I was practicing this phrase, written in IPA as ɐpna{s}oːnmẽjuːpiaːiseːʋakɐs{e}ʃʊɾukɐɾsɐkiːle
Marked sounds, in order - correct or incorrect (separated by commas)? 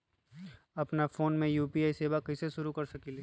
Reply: incorrect, correct